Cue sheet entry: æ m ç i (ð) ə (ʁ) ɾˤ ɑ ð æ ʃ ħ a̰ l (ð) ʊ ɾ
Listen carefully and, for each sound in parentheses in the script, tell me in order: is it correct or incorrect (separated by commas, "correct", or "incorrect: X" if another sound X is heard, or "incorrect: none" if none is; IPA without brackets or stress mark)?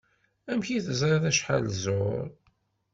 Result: incorrect: θ, incorrect: z, incorrect: z